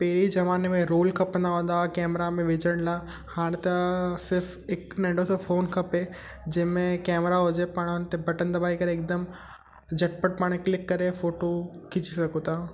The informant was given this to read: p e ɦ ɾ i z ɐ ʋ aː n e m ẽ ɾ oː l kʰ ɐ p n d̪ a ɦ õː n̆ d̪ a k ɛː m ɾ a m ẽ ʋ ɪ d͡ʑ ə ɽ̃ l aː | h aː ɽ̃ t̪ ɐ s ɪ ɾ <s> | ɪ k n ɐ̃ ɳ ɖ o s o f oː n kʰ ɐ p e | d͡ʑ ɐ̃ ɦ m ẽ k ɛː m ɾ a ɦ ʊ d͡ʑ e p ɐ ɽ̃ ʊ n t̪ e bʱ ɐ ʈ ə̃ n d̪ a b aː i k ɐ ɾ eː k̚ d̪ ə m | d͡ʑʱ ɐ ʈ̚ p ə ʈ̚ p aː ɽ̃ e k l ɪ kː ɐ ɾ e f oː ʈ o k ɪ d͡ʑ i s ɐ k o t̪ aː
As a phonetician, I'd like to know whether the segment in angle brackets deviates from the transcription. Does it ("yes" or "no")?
yes